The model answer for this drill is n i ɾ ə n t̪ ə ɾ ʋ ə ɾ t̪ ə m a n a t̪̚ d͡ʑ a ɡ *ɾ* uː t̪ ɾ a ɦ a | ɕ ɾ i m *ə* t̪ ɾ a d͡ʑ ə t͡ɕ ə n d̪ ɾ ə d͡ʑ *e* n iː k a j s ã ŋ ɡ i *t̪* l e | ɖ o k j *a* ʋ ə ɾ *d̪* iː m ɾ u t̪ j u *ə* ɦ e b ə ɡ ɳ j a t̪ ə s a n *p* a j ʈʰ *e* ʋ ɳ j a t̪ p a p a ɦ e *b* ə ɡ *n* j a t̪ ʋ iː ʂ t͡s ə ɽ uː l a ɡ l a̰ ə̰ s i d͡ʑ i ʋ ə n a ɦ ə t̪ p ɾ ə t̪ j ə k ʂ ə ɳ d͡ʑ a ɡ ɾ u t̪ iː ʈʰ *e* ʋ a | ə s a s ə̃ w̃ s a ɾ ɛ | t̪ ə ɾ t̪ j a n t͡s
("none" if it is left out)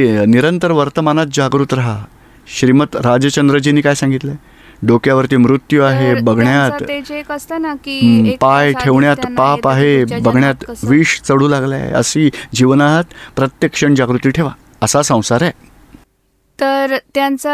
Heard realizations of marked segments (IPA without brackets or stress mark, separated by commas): ɾ, ə, i, t̪, a, t̪, a, p, e, b, ɳ, e